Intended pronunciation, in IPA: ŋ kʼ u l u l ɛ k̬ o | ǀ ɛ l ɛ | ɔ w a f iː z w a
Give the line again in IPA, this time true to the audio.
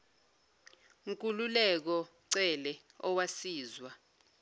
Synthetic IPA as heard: ŋ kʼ u l u l ɛ k̬ ɔ | ǀ ɛ l ɛ | ɔ w a s iː z w a